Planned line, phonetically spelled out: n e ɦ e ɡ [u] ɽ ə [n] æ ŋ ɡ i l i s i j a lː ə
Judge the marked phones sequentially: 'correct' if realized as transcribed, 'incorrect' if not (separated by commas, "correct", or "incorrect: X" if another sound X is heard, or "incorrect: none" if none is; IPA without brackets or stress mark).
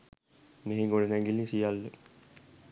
incorrect: o, correct